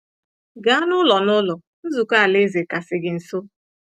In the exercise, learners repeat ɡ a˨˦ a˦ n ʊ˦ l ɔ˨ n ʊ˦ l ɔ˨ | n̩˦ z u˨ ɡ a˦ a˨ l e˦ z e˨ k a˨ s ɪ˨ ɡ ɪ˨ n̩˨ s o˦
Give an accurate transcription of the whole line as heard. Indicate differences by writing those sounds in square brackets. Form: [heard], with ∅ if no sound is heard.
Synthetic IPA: ɡ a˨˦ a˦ n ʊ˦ l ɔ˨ n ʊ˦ l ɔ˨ | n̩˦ z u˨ [k] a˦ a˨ l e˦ z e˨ k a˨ s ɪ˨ ɡ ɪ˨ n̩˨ s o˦